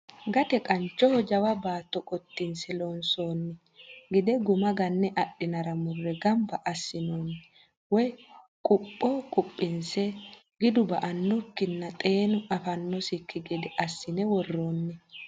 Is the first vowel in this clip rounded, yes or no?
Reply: no